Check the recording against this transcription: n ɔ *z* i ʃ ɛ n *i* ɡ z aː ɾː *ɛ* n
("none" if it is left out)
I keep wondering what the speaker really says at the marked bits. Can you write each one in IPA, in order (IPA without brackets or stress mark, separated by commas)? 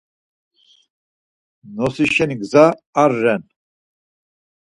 s, i, ɛ